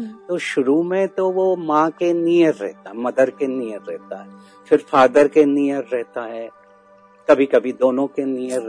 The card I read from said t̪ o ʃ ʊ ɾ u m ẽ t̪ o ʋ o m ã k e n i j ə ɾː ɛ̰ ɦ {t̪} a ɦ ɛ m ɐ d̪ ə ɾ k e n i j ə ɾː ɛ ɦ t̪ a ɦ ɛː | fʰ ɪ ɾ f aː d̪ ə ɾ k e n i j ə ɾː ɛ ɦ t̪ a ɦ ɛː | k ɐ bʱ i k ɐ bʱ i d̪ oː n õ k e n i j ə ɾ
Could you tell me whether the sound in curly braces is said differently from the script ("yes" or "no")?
no